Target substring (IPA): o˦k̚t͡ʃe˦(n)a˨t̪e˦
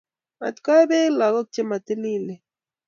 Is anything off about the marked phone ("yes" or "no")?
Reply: yes